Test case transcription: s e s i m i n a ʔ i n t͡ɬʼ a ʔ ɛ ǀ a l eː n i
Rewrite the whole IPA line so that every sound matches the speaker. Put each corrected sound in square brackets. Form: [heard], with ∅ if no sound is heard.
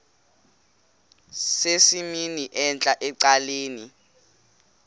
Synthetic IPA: s e s i m i n [i] ʔ [ɛ] n t͡ɬʼ a ʔ ɛ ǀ a l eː n i

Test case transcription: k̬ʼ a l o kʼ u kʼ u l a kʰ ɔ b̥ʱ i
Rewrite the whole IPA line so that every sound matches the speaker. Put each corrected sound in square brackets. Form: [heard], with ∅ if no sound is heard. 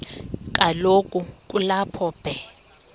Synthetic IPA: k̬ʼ a l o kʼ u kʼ u l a [pʰ] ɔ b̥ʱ [ɛ]

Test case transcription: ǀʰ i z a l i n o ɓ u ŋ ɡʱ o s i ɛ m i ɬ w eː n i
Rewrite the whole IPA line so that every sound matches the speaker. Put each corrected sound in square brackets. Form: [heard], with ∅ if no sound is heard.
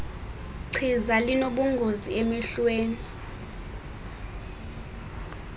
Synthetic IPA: ǀʰ i z a l i n o ɓ u ŋ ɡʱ o [z] i [e] m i ɬ w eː n i

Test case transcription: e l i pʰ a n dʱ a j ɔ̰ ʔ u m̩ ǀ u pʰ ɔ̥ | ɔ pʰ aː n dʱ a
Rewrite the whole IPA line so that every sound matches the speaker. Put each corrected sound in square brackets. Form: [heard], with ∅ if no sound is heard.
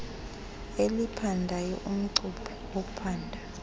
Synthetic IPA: e l i pʰ a n dʱ a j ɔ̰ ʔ u m̩ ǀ u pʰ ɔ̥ | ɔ pʰ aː n dʱ a

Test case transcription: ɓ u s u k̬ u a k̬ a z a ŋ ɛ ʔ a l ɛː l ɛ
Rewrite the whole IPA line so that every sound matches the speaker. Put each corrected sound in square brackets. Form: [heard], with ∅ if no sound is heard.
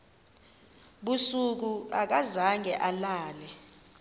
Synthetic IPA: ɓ u s u k̬ u a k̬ a z a ŋ ɛ ʔ a l [aː] l ɛ

